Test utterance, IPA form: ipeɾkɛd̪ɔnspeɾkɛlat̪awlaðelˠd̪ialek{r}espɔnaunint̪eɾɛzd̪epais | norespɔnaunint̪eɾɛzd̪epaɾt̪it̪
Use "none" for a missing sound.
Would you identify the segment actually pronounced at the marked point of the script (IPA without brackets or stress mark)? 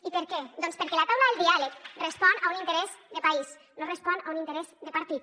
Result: r